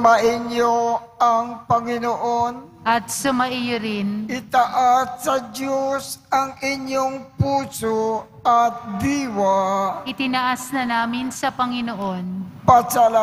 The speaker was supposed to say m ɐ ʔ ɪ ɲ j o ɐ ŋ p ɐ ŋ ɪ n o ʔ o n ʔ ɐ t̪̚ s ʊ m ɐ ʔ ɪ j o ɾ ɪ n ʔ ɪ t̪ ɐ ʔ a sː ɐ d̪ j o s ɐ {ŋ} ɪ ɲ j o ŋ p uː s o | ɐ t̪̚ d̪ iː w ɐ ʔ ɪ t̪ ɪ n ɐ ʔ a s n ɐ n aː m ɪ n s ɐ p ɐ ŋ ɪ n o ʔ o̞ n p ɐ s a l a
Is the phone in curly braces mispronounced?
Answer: no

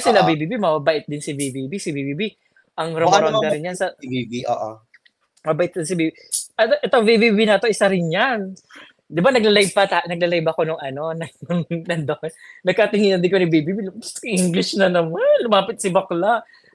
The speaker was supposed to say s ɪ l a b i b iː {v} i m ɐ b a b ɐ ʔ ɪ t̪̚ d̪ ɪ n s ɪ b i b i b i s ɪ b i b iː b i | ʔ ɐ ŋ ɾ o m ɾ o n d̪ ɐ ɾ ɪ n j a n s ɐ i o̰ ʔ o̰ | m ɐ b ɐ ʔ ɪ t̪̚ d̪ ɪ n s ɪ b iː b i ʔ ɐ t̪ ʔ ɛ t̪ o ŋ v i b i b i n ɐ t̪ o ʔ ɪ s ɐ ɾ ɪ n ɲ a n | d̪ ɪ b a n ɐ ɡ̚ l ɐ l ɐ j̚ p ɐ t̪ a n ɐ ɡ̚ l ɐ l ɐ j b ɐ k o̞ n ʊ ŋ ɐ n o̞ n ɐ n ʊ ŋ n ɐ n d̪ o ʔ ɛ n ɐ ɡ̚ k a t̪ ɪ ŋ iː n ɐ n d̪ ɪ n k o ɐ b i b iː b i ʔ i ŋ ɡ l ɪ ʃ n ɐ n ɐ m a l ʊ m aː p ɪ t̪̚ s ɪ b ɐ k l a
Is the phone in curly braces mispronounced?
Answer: yes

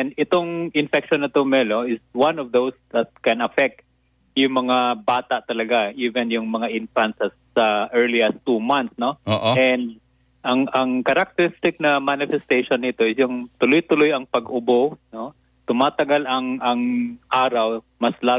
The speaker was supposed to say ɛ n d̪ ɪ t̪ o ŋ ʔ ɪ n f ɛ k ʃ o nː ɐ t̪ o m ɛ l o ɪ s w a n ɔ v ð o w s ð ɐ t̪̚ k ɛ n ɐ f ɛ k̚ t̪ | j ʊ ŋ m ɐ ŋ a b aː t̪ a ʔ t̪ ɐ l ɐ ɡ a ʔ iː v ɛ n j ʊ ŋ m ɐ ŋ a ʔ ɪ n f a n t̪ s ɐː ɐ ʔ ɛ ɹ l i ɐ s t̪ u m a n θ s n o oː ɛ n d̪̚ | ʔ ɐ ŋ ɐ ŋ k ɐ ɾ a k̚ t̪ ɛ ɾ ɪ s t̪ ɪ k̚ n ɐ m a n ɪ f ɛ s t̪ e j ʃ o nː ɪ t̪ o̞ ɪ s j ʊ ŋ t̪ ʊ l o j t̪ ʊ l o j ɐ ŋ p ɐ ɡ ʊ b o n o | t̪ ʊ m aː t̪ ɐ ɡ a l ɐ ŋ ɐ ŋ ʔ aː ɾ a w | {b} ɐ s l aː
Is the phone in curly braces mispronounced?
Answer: yes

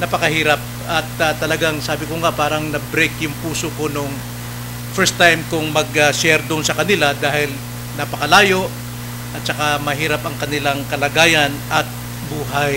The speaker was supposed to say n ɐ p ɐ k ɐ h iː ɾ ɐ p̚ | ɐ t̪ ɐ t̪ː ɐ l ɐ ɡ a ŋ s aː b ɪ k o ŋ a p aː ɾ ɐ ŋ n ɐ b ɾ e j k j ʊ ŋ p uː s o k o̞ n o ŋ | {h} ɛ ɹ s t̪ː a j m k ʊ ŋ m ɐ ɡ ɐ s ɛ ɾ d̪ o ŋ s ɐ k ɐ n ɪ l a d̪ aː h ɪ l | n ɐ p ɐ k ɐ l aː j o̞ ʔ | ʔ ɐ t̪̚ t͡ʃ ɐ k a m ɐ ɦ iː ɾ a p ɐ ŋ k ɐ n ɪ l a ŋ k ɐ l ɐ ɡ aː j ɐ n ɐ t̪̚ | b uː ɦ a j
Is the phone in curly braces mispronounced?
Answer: yes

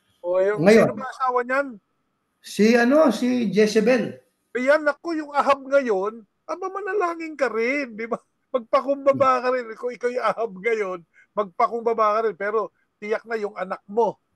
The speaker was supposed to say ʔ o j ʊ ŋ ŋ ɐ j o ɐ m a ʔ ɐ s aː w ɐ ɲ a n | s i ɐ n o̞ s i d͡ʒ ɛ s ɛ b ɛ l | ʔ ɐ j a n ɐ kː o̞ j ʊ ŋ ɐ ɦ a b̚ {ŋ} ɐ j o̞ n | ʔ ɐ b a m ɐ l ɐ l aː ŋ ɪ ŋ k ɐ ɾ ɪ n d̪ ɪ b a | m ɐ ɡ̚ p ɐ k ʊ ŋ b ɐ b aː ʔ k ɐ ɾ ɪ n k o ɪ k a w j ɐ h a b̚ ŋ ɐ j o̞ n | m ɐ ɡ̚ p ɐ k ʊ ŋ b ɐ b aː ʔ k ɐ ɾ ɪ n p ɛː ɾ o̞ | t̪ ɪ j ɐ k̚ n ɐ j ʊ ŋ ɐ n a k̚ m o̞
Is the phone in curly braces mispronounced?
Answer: no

